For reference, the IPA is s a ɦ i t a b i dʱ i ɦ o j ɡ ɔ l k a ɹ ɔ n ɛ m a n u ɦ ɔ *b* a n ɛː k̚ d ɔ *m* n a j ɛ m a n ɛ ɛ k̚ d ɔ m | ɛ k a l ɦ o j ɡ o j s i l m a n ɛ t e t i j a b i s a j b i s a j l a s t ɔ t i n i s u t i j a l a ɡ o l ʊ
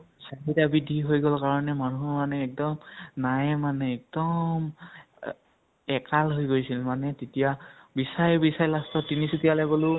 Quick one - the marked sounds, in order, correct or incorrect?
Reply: incorrect: m, correct

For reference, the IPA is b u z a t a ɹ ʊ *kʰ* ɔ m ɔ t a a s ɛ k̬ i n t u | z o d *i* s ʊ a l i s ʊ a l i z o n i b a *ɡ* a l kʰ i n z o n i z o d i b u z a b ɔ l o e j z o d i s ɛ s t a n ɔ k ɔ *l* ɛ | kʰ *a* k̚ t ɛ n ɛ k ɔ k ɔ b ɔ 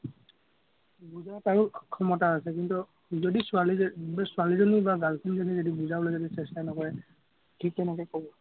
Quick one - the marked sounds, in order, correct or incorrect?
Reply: correct, correct, correct, incorrect: ɹ, incorrect: i

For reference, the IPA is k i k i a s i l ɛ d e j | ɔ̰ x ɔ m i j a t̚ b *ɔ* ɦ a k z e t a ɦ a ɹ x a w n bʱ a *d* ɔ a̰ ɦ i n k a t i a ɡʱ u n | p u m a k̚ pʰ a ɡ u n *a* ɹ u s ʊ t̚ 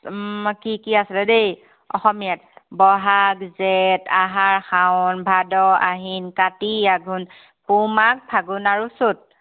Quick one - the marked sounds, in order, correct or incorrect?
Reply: correct, correct, correct

